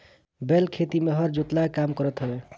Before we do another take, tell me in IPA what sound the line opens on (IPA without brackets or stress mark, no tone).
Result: b